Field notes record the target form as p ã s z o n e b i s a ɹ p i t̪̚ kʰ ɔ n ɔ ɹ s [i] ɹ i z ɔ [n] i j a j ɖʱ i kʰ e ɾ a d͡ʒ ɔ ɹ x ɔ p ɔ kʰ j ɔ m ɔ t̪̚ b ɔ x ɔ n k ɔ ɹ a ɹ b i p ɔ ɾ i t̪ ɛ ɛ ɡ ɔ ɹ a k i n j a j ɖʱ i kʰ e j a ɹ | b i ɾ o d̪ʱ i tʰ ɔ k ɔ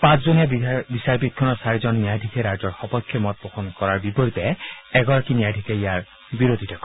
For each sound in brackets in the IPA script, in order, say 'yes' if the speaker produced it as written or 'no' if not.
no, no

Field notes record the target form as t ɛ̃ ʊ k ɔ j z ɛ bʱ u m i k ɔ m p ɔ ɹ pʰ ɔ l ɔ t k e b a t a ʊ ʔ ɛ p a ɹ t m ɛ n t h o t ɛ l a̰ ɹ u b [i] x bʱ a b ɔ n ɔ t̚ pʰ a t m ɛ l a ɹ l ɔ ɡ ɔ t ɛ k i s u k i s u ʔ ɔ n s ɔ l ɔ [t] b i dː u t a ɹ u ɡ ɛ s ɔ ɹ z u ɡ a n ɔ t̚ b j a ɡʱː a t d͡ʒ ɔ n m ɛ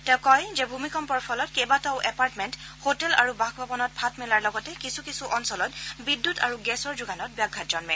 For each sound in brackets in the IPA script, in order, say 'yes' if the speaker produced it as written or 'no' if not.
no, yes

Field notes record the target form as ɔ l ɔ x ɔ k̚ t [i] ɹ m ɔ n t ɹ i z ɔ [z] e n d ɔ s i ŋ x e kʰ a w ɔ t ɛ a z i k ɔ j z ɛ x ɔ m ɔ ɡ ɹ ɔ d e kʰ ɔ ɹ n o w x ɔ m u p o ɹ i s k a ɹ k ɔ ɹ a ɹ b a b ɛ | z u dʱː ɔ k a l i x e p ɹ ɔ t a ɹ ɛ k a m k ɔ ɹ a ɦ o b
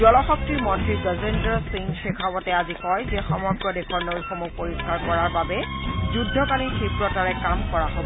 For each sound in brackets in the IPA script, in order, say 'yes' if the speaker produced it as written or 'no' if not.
yes, yes

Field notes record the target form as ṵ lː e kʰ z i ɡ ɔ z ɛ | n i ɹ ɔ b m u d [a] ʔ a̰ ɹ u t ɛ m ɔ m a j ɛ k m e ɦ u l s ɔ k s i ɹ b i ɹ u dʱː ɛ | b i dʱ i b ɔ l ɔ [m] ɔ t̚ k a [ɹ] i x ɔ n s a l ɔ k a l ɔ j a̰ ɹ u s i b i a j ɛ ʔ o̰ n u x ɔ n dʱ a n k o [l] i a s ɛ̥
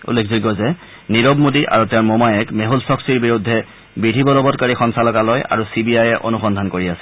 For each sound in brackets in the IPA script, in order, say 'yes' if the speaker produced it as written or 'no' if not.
no, no, yes, no

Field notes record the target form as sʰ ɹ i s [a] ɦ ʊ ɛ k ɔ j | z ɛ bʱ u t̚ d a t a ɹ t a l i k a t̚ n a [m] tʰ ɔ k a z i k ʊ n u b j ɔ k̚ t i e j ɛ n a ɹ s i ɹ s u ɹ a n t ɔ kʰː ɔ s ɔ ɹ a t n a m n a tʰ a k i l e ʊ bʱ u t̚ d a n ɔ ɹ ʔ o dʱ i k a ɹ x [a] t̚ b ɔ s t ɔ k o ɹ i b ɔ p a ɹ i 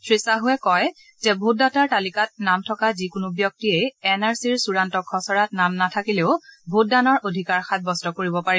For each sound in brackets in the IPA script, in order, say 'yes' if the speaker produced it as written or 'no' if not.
yes, yes, yes

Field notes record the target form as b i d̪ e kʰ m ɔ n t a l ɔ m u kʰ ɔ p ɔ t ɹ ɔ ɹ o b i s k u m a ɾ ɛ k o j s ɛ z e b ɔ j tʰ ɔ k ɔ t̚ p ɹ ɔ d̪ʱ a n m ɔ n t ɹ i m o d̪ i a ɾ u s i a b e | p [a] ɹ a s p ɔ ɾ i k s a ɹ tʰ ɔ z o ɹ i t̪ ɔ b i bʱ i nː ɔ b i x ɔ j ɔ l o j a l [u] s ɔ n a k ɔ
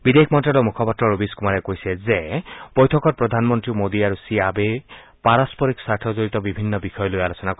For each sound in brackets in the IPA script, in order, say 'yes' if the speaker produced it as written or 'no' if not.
yes, no

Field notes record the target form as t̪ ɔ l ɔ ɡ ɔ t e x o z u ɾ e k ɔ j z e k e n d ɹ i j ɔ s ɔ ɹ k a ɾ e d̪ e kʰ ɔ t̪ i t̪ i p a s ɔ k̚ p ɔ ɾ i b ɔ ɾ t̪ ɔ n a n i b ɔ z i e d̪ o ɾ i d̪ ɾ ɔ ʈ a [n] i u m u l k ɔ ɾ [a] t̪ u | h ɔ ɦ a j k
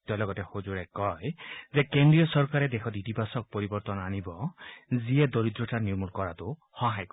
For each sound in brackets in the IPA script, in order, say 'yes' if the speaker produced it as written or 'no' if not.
yes, yes

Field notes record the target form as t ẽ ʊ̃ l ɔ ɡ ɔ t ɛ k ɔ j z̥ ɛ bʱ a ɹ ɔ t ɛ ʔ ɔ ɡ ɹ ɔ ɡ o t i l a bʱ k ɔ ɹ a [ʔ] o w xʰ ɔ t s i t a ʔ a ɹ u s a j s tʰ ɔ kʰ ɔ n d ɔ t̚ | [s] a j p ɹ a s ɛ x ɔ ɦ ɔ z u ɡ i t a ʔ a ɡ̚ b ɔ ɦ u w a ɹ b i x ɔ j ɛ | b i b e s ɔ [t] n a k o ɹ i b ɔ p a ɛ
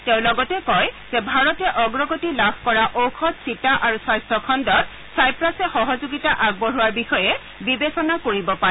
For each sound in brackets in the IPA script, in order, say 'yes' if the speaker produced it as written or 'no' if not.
yes, yes, no

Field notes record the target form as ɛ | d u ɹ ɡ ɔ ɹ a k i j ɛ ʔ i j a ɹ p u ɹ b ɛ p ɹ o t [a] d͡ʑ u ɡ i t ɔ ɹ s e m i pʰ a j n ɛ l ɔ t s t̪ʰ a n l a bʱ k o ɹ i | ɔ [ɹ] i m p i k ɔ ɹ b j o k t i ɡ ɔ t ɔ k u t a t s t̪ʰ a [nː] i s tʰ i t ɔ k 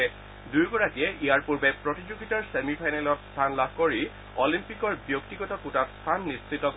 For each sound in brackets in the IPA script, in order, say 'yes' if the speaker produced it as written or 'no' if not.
no, no, yes

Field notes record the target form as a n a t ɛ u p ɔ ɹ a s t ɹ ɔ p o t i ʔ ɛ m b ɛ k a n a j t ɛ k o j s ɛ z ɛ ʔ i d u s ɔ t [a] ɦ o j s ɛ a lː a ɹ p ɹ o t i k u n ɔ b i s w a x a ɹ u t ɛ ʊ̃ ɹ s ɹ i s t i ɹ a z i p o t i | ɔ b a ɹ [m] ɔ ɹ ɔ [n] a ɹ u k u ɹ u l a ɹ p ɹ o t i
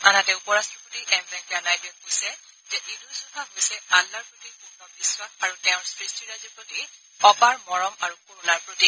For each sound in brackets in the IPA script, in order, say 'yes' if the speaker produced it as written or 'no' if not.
yes, yes, no

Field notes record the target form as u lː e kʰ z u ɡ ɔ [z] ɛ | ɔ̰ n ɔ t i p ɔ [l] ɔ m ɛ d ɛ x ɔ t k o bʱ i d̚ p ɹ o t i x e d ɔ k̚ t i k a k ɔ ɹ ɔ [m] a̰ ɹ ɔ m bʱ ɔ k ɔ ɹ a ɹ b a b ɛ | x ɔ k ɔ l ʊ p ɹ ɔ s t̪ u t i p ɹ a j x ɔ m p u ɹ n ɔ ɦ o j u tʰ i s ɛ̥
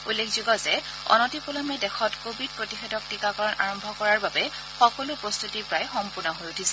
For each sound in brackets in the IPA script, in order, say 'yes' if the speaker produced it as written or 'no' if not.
yes, yes, no

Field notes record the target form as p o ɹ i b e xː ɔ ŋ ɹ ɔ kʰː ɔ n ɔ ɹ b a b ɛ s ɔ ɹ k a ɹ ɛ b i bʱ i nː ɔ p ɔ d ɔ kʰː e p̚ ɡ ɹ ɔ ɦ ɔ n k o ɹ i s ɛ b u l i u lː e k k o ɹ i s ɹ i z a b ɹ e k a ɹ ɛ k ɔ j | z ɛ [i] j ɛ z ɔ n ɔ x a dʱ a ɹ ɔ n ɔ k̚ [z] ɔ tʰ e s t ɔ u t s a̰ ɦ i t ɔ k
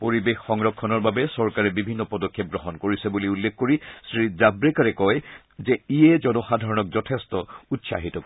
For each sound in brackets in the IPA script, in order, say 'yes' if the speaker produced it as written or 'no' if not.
yes, yes

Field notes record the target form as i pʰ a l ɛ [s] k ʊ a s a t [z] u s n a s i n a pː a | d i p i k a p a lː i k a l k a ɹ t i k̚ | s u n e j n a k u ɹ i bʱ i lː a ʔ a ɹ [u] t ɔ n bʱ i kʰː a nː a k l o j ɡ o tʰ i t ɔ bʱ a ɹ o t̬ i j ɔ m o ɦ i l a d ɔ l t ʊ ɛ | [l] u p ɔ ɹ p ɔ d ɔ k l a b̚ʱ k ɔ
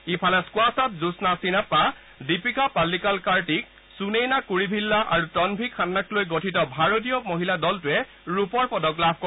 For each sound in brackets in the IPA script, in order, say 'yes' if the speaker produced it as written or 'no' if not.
yes, yes, yes, no

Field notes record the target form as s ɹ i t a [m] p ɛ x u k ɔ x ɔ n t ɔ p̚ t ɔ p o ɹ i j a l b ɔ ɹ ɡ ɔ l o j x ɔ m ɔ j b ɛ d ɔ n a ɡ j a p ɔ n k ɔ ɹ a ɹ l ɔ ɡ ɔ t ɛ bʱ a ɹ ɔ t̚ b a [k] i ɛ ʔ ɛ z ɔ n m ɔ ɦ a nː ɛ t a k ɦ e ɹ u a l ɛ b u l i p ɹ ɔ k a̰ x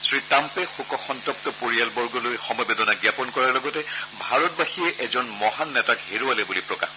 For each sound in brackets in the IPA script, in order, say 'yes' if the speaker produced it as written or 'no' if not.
yes, no

